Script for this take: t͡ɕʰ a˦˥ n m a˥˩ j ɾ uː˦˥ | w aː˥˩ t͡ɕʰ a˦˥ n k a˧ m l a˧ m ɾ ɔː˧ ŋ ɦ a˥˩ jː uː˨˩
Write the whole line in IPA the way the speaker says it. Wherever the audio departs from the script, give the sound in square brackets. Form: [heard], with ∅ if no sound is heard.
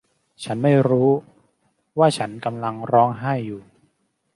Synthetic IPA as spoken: t͡ɕʰ a˦˥ n m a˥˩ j ɾ uː˦˥ | w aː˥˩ t͡ɕʰ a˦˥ n k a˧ m l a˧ [ŋ] ɾ [ɔː˦˥] ŋ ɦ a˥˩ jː uː˨˩